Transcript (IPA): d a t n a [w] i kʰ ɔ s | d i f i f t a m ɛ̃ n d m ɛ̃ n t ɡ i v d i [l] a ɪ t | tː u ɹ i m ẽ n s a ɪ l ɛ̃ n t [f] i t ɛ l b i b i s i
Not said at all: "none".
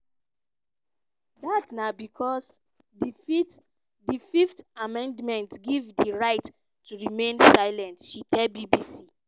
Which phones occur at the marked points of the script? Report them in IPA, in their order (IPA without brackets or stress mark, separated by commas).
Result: b, ɹ, ʃ